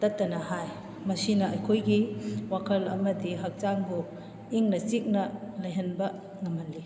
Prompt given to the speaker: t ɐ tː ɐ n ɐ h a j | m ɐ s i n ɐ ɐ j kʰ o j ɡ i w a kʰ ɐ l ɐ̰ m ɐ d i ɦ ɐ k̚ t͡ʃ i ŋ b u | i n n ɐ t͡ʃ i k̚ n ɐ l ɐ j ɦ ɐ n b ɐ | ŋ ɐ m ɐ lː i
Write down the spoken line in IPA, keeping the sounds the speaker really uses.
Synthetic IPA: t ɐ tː ɐ n ɐ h a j | m ɐ s i n ɐ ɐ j kʰ o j ɡ i w a kʰ ɐ l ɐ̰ m ɐ d i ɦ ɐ k̚ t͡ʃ a ŋ b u | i ŋ n ɐ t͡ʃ i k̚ n ɐ l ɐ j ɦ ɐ n b ɐ | ŋ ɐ m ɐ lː i